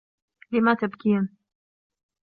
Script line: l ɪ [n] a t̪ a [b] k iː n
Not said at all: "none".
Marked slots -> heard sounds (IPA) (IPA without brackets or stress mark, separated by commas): m, b